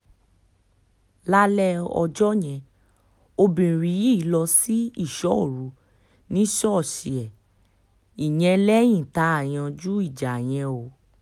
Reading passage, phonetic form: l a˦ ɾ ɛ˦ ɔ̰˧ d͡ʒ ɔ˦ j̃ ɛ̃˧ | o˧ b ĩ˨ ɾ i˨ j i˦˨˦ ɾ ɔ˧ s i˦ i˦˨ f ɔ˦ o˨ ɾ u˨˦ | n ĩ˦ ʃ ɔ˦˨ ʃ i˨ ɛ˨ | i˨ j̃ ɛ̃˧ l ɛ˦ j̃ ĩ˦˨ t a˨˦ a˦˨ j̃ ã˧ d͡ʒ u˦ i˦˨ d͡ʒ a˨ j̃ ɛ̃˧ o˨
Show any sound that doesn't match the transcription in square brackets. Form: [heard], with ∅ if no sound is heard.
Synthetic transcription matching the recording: l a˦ [l] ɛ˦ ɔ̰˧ d͡ʒ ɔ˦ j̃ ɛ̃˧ | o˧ b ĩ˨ ɾ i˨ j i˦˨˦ [l] ɔ˧ s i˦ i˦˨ [ʃ] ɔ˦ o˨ ɾ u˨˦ | n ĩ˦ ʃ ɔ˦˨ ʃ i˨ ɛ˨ | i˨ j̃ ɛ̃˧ l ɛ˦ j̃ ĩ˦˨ t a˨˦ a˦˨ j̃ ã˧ d͡ʒ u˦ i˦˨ d͡ʒ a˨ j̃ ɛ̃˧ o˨